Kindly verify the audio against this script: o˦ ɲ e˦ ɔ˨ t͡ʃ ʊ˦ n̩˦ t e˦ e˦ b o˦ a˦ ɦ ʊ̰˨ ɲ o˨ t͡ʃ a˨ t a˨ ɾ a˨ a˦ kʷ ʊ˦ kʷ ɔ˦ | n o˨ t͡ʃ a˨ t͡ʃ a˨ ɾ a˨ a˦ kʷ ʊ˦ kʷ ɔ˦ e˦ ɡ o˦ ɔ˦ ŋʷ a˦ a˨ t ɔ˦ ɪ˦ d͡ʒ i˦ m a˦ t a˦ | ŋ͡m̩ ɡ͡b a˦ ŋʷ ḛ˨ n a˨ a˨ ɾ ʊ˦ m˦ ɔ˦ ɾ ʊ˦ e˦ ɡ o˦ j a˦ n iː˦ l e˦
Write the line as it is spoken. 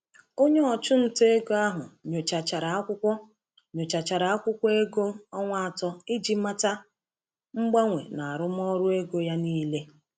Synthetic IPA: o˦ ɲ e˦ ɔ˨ t͡ʃ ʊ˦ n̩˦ t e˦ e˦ ɡ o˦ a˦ ɦ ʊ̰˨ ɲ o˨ t͡ʃ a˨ t͡ʃ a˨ ɾ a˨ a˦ kʷ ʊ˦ kʷ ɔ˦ | ɲ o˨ t͡ʃ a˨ t͡ʃ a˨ ɾ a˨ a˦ kʷ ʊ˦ kʷ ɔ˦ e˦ ɡ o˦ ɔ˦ ŋʷ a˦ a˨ t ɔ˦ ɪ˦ d͡ʒ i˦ m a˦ t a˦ | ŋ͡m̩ ɡ͡b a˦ ŋʷ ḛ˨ n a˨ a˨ ɾ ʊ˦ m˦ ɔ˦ ɾ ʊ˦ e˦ ɡ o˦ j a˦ n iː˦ l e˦